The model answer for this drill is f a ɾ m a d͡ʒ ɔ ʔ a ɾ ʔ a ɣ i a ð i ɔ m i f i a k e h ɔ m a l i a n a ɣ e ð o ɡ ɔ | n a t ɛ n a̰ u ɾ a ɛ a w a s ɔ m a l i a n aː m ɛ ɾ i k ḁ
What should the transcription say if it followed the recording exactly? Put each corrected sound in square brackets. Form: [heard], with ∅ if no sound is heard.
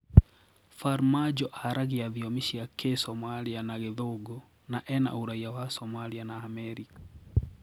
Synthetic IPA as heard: f a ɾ m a d͡ʒ ɔ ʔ a ɾ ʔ a ɣ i a ð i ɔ m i [ʃ] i a k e [s] ɔ m a l i a n a ɣ e ð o ɡ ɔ | n a [ʔ] ɛ n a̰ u ɾ a [i] a w a s ɔ m a l i a n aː m ɛ ɾ i k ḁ